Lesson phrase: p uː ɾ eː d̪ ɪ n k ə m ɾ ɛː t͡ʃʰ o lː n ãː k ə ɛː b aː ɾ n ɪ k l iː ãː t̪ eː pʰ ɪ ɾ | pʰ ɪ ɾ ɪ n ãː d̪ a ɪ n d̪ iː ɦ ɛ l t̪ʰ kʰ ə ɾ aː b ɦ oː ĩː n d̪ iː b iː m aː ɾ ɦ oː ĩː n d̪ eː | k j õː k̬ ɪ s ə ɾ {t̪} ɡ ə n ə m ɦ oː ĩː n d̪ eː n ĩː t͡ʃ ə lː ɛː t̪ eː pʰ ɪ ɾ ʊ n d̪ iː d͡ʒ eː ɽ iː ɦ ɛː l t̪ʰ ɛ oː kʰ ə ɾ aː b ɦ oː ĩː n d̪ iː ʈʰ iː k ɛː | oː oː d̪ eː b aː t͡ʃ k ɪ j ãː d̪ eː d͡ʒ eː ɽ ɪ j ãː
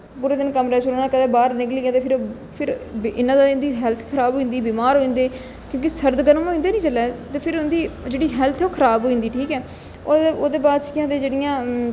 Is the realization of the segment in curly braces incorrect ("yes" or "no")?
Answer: yes